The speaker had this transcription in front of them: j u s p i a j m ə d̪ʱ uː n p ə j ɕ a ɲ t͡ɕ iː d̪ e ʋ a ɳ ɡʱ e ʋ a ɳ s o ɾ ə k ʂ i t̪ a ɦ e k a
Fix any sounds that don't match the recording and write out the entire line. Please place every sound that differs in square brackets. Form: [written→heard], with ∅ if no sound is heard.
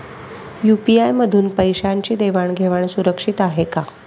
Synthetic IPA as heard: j u [s→∅] p i a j m ə d̪ʱ uː n p ə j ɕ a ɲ t͡ɕ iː d̪ e ʋ a ɳ ɡʱ e ʋ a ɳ s [o→u] ɾ ə k ʂ i t̪ a ɦ e k a